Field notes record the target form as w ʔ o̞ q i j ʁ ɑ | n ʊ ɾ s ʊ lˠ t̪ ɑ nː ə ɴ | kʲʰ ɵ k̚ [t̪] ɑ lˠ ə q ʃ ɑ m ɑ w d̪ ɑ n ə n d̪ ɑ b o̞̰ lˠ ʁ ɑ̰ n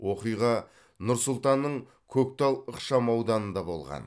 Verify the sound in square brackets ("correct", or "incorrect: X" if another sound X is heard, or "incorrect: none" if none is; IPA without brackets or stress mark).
correct